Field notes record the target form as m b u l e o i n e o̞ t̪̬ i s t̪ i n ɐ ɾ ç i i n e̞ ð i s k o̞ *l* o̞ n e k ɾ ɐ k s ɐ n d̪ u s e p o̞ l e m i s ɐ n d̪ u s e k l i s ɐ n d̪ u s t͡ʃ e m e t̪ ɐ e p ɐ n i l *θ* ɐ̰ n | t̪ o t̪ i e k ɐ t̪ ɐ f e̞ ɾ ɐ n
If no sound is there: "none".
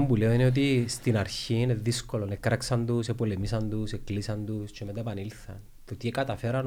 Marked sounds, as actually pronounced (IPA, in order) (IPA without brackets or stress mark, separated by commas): l, θ